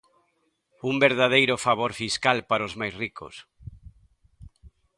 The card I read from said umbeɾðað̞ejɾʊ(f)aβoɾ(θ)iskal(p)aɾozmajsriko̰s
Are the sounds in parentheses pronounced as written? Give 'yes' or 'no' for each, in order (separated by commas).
yes, no, yes